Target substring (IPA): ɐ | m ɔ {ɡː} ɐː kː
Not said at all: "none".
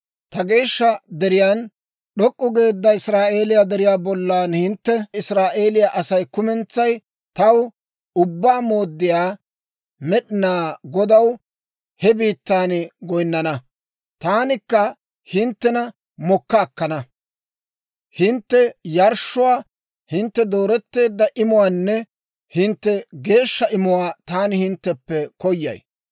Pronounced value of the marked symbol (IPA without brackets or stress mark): kː